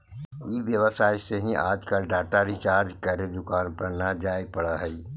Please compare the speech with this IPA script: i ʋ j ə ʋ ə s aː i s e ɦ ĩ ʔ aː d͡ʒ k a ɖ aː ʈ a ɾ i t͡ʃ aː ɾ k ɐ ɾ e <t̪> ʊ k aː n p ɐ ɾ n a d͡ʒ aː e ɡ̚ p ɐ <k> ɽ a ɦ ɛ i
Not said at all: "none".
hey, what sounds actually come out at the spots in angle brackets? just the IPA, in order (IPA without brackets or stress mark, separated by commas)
d̪, none